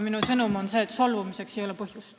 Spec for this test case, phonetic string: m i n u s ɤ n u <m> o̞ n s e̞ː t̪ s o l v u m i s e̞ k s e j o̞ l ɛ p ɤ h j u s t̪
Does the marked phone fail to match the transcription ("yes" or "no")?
no